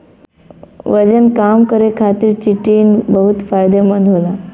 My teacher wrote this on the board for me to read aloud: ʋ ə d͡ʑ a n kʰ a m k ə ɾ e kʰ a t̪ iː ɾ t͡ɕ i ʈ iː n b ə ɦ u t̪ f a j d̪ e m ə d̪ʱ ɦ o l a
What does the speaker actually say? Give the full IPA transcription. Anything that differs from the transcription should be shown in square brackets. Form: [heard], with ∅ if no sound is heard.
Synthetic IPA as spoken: ʋ ə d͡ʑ [ə] n [k] a m k ə ɾ e kʰ a t̪ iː ɾ t͡ɕ i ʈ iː n b ə ɦ u t̪ f a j d̪ e m ə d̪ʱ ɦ o l a